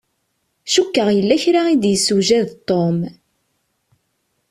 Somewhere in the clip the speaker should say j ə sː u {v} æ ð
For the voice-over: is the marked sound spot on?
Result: no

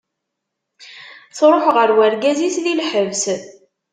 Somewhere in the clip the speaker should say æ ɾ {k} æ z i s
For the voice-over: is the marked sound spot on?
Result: no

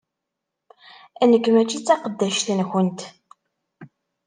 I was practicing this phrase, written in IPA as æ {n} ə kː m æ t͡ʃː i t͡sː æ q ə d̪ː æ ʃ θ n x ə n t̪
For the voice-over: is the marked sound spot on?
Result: yes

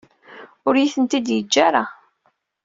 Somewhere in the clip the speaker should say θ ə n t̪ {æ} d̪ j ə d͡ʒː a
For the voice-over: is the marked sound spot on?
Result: no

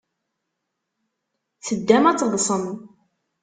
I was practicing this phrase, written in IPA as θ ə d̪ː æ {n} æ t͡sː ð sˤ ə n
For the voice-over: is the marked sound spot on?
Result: no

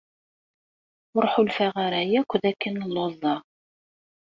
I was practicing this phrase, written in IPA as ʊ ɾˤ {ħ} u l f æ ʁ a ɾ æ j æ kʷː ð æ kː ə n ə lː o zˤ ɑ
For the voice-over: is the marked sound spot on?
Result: yes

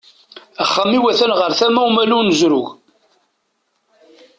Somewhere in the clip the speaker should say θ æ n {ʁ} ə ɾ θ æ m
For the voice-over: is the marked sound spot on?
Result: yes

